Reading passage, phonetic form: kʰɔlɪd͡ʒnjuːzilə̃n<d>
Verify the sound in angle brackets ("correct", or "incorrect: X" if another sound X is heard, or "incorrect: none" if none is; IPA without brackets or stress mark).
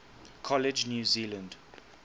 correct